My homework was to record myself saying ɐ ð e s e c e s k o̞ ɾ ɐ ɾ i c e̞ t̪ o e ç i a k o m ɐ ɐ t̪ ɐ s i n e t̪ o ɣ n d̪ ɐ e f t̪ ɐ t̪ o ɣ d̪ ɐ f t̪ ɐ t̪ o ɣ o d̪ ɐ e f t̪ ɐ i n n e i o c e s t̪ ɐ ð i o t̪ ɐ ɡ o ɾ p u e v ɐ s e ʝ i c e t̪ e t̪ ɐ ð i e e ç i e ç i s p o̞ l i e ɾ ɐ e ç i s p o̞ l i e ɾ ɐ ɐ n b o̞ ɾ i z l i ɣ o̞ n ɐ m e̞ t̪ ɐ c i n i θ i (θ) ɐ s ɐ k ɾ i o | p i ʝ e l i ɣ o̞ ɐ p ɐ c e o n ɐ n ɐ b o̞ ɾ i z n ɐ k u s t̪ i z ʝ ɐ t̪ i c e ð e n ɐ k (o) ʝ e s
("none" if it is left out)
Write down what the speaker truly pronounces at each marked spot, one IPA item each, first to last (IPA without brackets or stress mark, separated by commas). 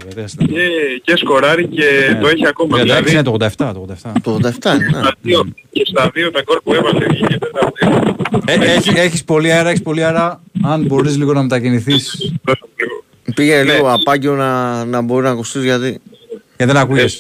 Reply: s, u